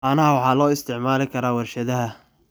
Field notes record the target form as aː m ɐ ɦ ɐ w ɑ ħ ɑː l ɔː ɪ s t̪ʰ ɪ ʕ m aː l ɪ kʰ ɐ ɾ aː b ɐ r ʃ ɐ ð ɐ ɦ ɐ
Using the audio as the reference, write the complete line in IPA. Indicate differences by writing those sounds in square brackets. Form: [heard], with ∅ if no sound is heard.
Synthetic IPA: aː [n] ɐ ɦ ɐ w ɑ ħ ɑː l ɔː ɪ s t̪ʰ ɪ ʕ m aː l ɪ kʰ ɐ ɾ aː [w] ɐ r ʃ ɐ ð ɐ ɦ ɐ

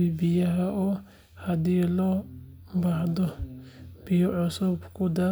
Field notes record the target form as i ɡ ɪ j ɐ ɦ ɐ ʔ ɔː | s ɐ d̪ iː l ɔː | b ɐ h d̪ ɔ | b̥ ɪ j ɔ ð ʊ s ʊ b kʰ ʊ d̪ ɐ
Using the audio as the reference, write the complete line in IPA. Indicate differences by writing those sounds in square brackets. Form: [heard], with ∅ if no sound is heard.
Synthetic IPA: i [b] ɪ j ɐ ɦ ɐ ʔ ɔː | [h] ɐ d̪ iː l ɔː | b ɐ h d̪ ɔ | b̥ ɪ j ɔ [ʕ] ʊ s ʊ b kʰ ʊ d̪ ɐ

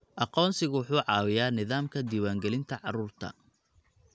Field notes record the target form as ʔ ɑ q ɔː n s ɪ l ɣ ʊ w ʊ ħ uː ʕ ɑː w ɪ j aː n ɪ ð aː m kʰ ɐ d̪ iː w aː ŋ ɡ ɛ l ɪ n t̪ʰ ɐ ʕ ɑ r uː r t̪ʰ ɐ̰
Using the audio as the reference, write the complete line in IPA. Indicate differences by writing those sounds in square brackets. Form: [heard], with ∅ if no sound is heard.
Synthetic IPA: ʔ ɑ q ɔː n s ɪ [∅] ɣ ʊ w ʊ ħ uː ʕ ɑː w ɪ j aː n ɪ ð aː m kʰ ɐ d̪ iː w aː ŋ ɡ ɛ l ɪ n t̪ʰ ɐ ʕ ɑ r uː r t̪ʰ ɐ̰

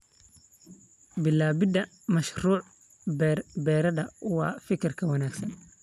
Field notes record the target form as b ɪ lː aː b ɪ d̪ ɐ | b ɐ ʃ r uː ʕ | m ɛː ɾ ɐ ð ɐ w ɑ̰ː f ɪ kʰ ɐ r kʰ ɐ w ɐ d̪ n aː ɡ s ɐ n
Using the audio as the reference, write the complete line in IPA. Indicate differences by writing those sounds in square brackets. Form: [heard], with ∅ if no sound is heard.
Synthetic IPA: b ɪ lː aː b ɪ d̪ ɐ | [m] ɐ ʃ r uː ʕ | [b] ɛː ɾ ɐ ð ɐ w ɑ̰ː f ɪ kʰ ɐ r kʰ ɐ w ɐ [∅] n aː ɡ s ɐ n

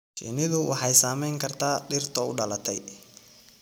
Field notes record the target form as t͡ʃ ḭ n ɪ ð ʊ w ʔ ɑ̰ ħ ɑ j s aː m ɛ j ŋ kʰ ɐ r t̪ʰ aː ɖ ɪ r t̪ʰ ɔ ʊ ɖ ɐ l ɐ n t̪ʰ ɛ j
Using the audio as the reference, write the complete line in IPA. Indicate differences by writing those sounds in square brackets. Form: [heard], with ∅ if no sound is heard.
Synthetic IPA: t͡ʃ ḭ n ɪ ð ʊ w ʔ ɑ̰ ħ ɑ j s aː m ɛ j ŋ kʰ ɐ r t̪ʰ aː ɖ ɪ r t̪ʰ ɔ ʊ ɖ ɐ l ɐ [∅] t̪ʰ ɛ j

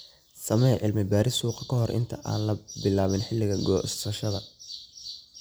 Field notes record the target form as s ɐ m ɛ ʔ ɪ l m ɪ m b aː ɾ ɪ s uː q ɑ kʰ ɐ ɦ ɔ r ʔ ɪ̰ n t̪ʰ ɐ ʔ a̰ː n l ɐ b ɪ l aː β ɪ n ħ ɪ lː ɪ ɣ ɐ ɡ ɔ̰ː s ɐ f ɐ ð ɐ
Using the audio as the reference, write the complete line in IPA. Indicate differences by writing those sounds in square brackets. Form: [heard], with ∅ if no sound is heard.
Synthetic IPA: s ɐ m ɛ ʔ ɪ l m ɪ [∅] b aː ɾ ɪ s uː q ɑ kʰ ɐ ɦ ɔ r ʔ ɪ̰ n t̪ʰ ɐ ʔ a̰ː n l ɐ b ɪ l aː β ɪ n ħ ɪ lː ɪ ɣ ɐ ɡ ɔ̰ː s ɐ [ʃ] ɐ ð ɐ

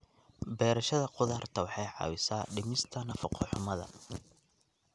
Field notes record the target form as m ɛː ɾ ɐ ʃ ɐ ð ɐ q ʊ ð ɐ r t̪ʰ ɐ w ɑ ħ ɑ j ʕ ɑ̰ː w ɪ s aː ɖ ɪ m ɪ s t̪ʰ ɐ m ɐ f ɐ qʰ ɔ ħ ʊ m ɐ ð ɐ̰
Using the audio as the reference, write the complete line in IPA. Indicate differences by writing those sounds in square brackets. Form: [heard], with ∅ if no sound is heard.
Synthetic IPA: [b] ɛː ɾ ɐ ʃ ɐ ð ɐ q ʊ ð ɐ r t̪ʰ ɐ w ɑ ħ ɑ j ʕ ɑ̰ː w ɪ s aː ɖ ɪ m ɪ s t̪ʰ ɐ [n] ɐ f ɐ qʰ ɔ ħ ʊ m ɐ ð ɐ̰

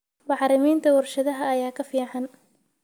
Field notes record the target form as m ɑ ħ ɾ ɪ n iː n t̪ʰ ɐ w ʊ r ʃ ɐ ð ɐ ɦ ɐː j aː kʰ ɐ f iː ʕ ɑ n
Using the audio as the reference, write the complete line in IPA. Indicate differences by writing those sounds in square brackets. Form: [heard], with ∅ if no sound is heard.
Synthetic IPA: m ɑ ħ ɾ ɪ [m] iː n t̪ʰ ɐ w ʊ r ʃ ɐ ð ɐ ɦ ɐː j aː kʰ ɐ f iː ʕ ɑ n

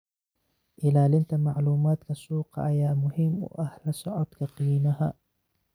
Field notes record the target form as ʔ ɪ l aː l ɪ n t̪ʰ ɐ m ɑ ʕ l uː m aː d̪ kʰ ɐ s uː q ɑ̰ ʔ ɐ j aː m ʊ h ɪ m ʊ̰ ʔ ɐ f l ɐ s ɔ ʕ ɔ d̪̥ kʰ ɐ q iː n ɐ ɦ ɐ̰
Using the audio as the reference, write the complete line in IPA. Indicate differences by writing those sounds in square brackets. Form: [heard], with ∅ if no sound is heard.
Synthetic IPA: ʔ ɪ l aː l ɪ n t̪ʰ ɐ m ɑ ʕ l uː m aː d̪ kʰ ɐ s uː q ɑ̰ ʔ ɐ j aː m ʊ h ɪ m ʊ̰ ʔ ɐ [h] l ɐ s ɔ ʕ ɔ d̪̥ kʰ ɐ q iː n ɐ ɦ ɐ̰

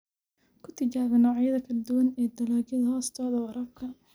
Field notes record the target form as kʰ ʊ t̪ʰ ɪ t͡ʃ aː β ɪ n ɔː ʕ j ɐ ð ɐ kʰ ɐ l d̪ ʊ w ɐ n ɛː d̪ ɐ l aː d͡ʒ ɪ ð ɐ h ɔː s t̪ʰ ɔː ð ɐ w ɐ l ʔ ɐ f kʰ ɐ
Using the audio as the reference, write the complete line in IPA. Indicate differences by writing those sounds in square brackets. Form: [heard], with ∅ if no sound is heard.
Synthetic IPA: kʰ ʊ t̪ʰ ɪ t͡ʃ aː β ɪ n ɔː ʕ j ɐ ð ɐ kʰ ɐ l d̪ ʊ w ɐ n ɛː d̪ ɐ l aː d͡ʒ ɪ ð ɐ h ɔː s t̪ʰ ɔː ð ɐ w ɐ [ɾ] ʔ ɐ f kʰ ɐ

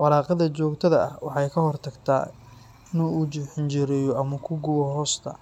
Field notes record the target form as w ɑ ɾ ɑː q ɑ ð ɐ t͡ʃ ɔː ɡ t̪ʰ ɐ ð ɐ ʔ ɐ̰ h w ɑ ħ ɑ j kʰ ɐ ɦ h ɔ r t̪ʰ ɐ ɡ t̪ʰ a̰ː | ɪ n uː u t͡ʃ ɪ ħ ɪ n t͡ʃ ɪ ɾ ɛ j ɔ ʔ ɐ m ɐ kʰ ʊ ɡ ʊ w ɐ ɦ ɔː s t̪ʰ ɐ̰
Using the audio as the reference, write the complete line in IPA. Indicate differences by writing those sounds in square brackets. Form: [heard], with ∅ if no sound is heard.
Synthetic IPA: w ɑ ɾ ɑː q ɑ ð ɐ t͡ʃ ɔː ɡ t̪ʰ ɐ ð ɐ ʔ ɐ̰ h w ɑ ħ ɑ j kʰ ɐ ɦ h ɔ r t̪ʰ ɐ ɡ t̪ʰ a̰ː | ɪ n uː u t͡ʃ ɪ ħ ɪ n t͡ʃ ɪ ɾ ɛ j ɔ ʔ ɐ m ɐ kʰ ʊ ɡ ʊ w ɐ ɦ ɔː s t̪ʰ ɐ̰

